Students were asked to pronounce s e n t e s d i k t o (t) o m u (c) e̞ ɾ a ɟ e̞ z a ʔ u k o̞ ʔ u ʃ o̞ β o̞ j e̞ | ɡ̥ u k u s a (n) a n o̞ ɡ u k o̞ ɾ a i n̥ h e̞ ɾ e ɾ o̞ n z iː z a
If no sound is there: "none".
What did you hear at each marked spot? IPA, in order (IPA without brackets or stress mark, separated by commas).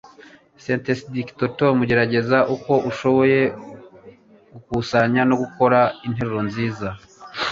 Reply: t, ɟ, ɲ